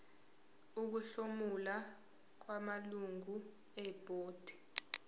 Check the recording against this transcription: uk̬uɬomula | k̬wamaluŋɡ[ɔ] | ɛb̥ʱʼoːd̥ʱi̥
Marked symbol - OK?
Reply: no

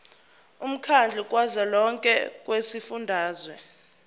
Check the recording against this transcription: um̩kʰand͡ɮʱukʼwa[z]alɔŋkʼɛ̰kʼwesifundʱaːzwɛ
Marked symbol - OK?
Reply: yes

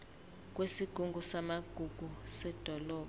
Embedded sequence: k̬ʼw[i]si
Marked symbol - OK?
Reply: no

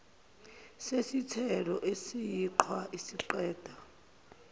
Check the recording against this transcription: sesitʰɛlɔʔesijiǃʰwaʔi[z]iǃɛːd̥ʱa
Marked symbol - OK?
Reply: no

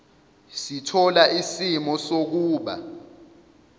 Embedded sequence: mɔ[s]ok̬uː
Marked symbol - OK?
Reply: yes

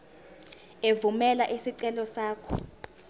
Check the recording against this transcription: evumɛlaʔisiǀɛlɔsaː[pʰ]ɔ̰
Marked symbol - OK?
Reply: no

